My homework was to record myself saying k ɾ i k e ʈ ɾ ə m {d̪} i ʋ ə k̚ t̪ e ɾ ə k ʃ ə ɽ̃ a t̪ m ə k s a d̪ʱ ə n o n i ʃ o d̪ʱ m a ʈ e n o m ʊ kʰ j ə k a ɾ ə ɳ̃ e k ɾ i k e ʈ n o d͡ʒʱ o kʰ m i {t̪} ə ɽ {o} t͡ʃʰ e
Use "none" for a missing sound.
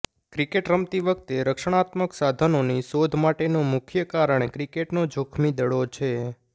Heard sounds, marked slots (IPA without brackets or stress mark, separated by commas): t̪, d̪, o